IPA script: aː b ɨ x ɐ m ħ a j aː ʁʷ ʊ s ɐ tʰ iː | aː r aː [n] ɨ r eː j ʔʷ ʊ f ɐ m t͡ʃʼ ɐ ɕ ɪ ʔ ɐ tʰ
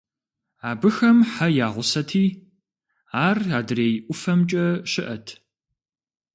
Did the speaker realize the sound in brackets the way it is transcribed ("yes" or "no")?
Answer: no